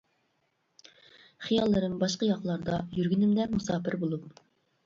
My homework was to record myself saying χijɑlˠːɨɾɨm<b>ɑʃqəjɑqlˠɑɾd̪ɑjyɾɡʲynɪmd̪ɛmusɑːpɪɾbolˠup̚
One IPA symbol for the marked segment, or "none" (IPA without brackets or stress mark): b